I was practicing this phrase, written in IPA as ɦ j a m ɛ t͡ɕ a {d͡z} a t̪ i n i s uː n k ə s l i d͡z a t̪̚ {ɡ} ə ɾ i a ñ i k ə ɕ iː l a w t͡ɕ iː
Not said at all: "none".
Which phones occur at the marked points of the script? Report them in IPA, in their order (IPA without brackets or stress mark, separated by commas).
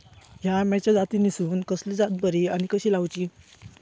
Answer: d͡z, b